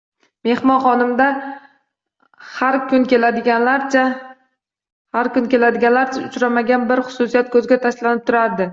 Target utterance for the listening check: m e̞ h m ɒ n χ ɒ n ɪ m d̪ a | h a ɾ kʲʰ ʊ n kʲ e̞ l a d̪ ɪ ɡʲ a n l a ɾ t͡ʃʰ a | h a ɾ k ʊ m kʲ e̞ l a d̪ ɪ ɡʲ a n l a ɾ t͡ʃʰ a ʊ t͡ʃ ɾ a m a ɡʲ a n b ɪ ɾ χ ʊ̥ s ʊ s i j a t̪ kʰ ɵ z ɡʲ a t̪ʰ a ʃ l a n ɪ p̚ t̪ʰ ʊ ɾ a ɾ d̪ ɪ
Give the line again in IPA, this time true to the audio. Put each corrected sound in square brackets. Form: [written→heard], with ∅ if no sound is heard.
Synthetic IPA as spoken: m e̞ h m ɒ n χ ɒ n ɪ m d̪ a | h a ɾ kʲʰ ʊ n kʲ e̞ l a d̪ ɪ ɡʲ a n l a ɾ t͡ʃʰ a | h a ɾ k ʊ [m→n] kʲ e̞ l a d̪ ɪ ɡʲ a n l a ɾ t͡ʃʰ a ʊ t͡ʃ ɾ a m a ɡʲ a n b ɪ ɾ χ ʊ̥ s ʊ s i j a t̪ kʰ ɵ z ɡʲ a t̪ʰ a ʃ l a n ɪ p̚ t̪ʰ ʊ ɾ a ɾ d̪ ɪ

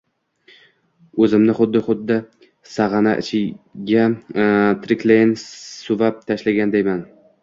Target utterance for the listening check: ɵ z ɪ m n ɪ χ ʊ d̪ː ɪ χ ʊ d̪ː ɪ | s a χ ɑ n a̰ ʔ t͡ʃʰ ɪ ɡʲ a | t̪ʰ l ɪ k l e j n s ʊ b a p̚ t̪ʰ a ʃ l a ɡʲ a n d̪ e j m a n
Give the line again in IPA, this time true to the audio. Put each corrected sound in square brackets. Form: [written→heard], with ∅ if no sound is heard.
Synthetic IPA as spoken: ɵ z ɪ m n ɪ χ ʊ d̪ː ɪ χ ʊ d̪ː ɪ | s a [χ→ʁ] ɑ n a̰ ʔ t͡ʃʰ ɪ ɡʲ a | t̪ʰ [l→ɾ] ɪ k l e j n s ʊ [b→v] a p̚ t̪ʰ a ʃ l a ɡʲ a n d̪ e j m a n

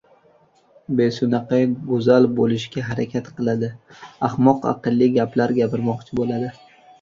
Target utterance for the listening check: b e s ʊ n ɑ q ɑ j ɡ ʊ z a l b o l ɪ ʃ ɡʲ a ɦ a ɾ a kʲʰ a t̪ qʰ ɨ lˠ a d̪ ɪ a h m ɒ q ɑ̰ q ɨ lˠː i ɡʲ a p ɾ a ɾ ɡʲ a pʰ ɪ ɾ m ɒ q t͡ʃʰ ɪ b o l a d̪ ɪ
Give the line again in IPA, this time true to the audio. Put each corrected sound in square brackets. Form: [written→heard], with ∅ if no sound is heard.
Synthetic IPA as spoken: b e s ʊ n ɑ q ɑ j ɡ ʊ z a l b o l ɪ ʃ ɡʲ a ɦ a ɾ a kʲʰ a t̪ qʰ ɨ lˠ a d̪ ɪ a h m ɒ q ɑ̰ q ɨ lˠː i ɡʲ a p [ɾ→l] a ɾ ɡʲ a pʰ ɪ ɾ m ɒ q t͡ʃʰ ɪ b o l a d̪ ɪ

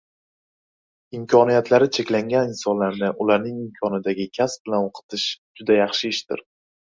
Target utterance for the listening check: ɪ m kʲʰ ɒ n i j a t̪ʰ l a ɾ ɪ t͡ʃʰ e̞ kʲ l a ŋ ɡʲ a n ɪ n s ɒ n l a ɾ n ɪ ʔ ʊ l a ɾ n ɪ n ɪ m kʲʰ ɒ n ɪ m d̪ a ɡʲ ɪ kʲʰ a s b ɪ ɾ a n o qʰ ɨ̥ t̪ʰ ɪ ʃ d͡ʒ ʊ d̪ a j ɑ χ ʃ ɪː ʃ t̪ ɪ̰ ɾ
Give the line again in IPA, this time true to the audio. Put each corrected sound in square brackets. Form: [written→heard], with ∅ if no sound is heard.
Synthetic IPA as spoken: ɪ m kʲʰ ɒ n i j a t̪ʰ l a ɾ ɪ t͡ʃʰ e̞ kʲ l a ŋ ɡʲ a n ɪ n s ɒ n l a ɾ n ɪ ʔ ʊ l a ɾ n ɪ [n→ŋ] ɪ m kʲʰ ɒ n ɪ [m→∅] d̪ a ɡʲ ɪ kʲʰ a s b ɪ [ɾ→l] a n o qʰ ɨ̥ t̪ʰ ɪ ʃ d͡ʒ ʊ d̪ a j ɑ χ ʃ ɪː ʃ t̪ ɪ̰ ɾ

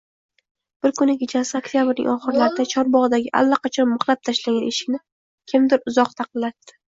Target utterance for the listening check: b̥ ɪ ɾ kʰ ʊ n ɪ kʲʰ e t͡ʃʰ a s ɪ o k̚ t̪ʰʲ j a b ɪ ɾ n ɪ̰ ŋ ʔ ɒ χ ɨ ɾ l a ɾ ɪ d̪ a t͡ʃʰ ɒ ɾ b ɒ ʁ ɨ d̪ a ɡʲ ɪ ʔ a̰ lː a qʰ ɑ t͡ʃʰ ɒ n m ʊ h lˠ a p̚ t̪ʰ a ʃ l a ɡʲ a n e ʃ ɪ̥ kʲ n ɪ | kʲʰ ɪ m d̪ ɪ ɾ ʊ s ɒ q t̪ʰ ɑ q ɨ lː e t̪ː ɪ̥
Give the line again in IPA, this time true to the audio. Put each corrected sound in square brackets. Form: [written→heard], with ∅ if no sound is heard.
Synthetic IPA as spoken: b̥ ɪ ɾ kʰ ʊ n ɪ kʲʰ e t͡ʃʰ a s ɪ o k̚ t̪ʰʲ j a b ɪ ɾ n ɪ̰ ŋ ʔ ɒ χ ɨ ɾ l a ɾ ɪ d̪ a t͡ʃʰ ɒ ɾ b ɒ ʁ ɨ d̪ a ɡʲ ɪ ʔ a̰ lː a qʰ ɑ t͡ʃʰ ɒ n m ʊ [h→χ] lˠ a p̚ t̪ʰ a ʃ l a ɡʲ a n e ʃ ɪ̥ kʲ n ɪ | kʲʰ ɪ m d̪ ɪ ɾ ʊ [s→z] ɒ q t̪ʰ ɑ q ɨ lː [e→a] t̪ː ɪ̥

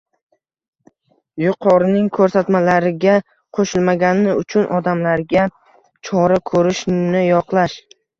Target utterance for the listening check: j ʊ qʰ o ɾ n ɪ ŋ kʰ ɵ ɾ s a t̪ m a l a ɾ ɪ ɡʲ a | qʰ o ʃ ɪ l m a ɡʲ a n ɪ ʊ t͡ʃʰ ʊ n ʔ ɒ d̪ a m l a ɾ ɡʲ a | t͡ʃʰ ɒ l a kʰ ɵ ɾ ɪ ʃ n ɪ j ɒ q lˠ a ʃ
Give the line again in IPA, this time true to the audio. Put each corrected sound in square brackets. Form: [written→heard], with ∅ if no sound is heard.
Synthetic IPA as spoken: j ʊ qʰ [o→ɒ] ɾ n ɪ ŋ kʰ ɵ ɾ s a t̪ m a l a ɾ ɪ ɡʲ a | qʰ o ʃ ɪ l m a ɡʲ a n ɪ ʊ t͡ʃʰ ʊ n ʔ ɒ d̪ a m l a ɾ ɡʲ a | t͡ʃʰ ɒ [l→ɾ] a kʰ ɵ ɾ ɪ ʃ n ɪ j ɒ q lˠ a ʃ

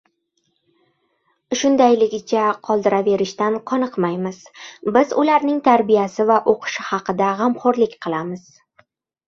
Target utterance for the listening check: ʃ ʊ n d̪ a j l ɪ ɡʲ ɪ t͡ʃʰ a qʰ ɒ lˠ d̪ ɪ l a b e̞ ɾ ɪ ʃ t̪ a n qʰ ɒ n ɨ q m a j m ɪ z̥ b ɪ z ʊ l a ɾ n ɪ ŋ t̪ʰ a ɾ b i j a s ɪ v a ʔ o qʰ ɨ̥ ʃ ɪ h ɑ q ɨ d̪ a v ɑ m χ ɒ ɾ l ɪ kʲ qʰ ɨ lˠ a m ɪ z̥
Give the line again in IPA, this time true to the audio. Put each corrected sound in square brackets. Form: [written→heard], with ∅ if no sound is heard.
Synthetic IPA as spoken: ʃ ʊ n d̪ a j l ɪ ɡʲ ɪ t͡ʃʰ a qʰ ɒ lˠ d̪ ɪ [l→ɾ] a [b→v] e̞ ɾ ɪ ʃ t̪ a n qʰ ɒ n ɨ q m a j m ɪ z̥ b ɪ z ʊ l a ɾ n ɪ ŋ t̪ʰ a ɾ b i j a s ɪ v a ʔ o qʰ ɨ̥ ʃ ɪ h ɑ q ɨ d̪ a [v→ʁ] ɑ m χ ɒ ɾ l ɪ kʲ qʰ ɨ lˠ a m ɪ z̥

